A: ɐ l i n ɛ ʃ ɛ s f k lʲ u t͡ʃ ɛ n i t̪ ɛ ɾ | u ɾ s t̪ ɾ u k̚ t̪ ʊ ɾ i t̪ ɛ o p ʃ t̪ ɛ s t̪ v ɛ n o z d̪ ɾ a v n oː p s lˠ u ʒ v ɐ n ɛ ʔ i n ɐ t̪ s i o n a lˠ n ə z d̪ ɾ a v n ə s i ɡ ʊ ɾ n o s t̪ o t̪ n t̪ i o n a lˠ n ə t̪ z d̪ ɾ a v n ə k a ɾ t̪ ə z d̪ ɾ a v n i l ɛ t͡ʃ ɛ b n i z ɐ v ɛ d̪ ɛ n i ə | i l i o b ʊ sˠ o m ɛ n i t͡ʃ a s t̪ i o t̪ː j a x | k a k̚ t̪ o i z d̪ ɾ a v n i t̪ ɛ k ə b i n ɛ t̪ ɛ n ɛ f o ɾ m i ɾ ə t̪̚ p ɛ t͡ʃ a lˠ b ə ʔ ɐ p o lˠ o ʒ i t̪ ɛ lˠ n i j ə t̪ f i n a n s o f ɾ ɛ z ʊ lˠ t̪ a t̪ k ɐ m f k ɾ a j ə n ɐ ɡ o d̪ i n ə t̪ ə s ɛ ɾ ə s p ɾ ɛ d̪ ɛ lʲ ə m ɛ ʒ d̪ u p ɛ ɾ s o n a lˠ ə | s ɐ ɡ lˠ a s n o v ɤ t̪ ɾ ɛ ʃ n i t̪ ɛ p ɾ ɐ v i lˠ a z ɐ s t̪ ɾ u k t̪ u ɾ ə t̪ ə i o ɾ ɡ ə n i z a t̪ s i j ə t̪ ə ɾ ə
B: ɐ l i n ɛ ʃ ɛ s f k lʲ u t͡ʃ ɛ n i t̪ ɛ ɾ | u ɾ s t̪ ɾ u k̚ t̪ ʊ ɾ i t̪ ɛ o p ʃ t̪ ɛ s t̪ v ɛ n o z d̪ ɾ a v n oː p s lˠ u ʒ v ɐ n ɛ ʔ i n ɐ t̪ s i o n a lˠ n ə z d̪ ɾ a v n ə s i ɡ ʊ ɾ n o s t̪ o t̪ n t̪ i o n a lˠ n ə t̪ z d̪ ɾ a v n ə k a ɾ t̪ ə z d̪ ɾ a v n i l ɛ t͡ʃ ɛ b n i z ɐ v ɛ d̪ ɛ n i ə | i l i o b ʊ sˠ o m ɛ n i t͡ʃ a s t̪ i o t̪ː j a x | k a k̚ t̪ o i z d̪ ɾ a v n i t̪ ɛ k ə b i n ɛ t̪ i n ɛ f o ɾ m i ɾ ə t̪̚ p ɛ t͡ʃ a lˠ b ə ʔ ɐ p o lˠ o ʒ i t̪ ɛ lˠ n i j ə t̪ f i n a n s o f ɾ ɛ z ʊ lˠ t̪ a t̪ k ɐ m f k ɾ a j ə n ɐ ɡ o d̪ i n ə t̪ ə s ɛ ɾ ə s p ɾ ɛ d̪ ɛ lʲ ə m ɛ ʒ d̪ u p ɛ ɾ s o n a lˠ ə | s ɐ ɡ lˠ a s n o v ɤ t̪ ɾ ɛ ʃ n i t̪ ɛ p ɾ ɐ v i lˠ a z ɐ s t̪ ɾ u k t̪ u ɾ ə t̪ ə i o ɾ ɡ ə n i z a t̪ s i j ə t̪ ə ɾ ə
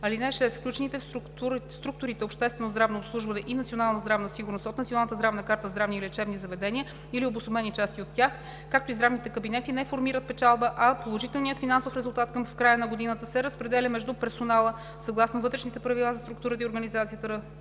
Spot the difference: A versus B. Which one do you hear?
B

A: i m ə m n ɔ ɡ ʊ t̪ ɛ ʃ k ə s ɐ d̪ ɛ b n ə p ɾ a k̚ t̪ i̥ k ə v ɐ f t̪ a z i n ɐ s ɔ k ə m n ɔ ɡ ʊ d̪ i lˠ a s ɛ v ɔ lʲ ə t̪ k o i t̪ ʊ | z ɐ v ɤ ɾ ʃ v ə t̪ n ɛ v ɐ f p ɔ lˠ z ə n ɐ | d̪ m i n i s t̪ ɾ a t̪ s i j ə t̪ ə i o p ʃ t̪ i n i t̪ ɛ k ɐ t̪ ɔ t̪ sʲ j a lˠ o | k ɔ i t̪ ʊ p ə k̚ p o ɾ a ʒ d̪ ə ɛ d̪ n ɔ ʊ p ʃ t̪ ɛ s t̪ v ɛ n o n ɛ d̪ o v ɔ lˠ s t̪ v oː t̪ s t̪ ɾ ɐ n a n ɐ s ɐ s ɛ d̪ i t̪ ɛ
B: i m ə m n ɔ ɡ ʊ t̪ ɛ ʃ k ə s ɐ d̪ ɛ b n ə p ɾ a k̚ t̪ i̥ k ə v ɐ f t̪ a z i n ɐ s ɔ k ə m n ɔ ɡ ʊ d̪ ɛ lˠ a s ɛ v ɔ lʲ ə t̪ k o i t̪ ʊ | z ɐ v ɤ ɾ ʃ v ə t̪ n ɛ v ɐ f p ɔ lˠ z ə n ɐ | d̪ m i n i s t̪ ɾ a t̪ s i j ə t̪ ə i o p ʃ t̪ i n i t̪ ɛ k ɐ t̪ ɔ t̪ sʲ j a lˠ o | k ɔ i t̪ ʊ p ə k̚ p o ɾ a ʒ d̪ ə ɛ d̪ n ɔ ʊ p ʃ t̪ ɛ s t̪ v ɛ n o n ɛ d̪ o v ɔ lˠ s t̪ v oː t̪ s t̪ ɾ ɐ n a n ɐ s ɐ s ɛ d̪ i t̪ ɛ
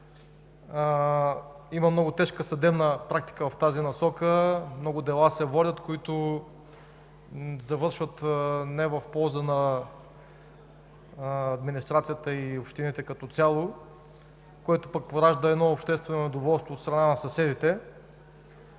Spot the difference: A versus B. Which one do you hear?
B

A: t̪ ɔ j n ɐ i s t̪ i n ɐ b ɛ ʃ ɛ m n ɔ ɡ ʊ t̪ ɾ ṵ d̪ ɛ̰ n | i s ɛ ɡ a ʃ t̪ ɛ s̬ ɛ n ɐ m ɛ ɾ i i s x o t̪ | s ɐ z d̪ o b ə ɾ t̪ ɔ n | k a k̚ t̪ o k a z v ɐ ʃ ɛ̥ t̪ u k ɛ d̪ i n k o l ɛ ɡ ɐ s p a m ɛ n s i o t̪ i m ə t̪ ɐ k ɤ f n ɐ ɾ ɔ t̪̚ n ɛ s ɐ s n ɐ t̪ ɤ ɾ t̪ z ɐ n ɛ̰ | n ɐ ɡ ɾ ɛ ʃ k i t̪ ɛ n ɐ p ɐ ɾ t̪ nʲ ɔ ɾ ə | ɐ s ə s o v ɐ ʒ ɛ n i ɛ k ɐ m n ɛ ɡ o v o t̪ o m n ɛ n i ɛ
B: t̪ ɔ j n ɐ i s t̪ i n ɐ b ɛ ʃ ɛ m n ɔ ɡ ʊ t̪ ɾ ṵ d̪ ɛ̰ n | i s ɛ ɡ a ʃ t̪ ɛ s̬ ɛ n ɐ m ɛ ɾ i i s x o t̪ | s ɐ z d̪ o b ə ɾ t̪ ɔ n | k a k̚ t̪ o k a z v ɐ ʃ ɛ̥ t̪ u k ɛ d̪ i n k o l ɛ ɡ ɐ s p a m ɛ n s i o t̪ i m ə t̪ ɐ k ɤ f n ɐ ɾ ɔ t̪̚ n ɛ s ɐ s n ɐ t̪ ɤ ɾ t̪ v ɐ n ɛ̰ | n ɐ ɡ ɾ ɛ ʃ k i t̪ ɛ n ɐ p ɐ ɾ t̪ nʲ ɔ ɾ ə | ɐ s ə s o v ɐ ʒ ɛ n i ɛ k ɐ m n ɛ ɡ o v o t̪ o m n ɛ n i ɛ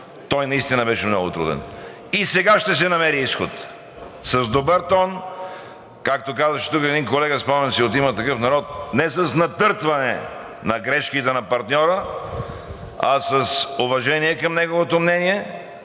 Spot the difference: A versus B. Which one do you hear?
B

